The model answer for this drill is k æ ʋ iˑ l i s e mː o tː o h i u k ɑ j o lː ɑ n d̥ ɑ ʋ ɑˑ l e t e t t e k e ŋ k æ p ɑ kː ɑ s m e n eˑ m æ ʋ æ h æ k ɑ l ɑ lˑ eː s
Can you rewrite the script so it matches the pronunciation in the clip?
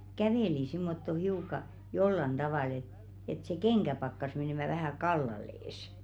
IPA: k æ ʋ eˑ l i s i mː o tː o h i u k ɑ j o lː ɑ n d̥ ɑ ʋ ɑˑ l e t e t s e k e ŋ k æ p ɑ kː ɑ s m e n eˑ m æ ʋ æ h æ k ɑ lː ɑ lˑ eː s